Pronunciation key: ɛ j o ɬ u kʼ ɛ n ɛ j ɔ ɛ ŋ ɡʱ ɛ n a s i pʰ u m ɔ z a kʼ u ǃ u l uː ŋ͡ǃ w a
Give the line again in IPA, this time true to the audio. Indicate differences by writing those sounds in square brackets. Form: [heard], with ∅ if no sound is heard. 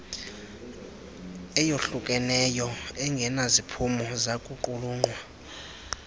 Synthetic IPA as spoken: ɛ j o ɬ u kʼ ɛ n ɛ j ɔ ɛ ŋ ɡʱ ɛ n a [z] i pʰ u m ɔ z a kʼ u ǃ u l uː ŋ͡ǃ w a